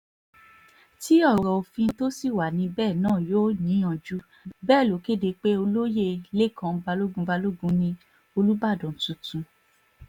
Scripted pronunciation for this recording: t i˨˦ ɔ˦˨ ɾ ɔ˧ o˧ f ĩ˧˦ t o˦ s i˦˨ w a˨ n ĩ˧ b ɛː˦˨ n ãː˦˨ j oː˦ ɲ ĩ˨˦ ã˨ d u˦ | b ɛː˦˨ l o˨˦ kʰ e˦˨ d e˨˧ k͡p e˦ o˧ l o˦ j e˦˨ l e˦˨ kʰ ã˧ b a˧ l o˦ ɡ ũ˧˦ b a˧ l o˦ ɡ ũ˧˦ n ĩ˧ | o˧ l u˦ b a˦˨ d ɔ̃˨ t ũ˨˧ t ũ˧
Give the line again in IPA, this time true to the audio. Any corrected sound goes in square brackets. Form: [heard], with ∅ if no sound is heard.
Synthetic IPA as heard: t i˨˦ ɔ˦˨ ɾ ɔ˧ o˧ f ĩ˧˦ t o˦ s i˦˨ w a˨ n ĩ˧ b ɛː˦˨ n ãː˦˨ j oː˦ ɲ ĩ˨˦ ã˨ [d͡ʒ] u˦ | b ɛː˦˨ l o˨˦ [k] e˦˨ d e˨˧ k͡p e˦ o˧ l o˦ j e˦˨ l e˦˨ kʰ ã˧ b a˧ l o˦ ɡ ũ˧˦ b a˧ l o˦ ɡ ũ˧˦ n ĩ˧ | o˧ l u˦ b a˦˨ d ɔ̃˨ t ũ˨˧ t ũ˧